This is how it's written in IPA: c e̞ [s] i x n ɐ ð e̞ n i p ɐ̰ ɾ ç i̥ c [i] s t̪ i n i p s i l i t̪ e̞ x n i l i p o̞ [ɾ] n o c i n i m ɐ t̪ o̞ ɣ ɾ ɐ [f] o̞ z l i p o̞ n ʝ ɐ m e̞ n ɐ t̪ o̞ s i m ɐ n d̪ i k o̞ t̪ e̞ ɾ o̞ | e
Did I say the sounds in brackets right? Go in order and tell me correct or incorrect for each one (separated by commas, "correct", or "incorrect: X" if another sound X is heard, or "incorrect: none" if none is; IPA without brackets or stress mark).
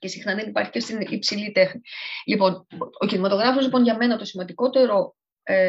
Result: correct, incorrect: e, incorrect: none, correct